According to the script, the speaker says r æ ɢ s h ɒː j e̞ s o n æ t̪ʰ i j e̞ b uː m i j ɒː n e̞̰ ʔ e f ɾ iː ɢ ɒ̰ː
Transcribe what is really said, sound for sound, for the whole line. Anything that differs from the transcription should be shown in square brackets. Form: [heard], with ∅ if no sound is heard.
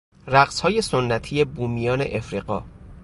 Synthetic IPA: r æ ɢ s h ɒː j e̞ s o [nː] æ t̪ʰ i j e̞ b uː m i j ɒː n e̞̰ ʔ e f ɾ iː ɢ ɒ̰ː